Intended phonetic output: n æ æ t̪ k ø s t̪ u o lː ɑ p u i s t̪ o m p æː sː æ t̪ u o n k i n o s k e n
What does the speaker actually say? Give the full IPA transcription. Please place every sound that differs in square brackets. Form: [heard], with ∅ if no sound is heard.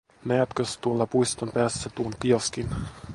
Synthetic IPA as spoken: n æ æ t̪ k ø s t̪ u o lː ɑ p u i s t̪ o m p æː sː æ t̪ u o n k i [∅] o s k [i] n